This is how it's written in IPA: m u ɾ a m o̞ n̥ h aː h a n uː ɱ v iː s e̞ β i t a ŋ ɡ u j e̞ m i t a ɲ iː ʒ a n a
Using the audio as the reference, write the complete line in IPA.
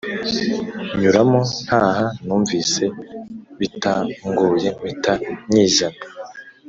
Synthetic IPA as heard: ɲ u ɾ a m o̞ n̥ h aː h a n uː ɱ v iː s e̞ β i t a ŋ ɡ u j e̞ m i t a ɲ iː ʒ a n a